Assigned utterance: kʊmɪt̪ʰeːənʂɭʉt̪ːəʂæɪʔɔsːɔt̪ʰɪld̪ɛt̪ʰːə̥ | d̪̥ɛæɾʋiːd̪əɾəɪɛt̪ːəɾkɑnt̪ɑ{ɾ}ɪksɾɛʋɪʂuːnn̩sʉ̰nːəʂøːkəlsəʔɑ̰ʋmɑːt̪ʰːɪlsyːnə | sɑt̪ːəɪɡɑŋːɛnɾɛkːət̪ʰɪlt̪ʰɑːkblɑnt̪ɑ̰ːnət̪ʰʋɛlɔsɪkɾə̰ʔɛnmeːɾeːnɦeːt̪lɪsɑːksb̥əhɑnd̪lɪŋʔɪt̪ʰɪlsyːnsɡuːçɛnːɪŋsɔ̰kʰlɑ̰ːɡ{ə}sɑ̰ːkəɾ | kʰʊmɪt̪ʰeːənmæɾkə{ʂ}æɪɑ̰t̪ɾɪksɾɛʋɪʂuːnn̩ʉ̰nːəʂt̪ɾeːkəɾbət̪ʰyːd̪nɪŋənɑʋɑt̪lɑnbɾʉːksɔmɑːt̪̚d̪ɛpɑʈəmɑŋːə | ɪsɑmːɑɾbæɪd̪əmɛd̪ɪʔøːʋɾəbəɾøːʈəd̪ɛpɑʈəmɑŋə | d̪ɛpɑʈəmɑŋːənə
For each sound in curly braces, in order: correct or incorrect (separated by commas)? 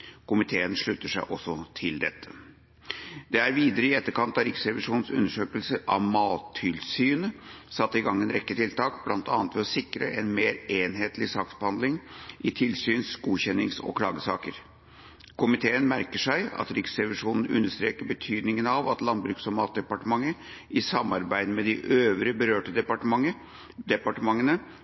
correct, correct, correct